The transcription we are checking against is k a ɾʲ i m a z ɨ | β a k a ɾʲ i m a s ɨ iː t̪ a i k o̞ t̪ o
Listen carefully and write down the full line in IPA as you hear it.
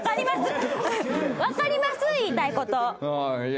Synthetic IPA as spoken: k a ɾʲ i m a s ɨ | β a k a ɾʲ i m a s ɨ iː t̪ a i k o̞ t̪ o